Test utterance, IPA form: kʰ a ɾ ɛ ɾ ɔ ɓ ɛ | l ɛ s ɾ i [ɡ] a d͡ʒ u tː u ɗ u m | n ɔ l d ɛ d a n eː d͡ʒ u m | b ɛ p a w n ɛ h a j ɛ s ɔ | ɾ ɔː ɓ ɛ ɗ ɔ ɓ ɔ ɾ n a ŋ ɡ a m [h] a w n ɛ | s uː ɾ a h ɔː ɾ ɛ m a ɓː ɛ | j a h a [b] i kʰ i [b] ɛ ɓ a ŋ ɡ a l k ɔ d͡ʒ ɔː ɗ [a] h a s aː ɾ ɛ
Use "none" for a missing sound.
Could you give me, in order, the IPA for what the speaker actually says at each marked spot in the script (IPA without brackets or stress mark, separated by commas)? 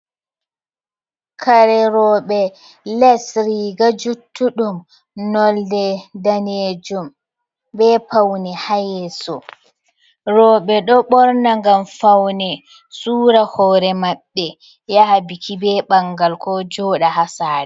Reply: ɡ, f, b, b, a